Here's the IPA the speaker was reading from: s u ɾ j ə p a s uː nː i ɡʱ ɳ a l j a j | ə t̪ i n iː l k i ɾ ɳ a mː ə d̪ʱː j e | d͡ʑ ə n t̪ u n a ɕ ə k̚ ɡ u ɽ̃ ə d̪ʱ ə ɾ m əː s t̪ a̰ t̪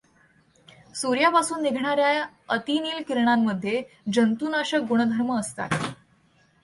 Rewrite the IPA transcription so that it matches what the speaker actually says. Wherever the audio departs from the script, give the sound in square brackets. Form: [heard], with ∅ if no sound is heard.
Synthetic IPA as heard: s u ɾ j [a] p a s uː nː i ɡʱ ɳ a [ɾ] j a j | ə t̪ i n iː l k i ɾ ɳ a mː ə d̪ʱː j e | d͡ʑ ə n t̪ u n a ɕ ə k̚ ɡ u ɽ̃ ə d̪ʱ ə ɾ m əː s t̪ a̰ t̪